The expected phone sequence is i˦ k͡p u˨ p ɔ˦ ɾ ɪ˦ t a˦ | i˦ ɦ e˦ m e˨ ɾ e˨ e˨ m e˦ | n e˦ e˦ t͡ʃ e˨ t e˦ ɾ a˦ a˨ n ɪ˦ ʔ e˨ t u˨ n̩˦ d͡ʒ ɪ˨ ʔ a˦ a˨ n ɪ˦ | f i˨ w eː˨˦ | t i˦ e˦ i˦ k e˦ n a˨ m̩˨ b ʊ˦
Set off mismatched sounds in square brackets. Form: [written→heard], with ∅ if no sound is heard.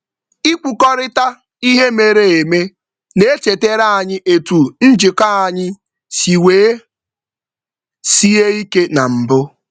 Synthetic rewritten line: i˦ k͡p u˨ [p→k] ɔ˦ ɾ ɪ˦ t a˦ | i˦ ɦ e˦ m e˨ ɾ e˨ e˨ m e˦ | n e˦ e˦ t͡ʃ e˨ t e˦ ɾ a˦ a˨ [n→ɲ] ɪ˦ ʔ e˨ t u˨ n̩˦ d͡ʒ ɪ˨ [ʔ→k] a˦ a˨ [n→ɲ] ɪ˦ | [f→s] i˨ w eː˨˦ | [t→s] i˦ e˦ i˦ k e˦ n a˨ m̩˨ b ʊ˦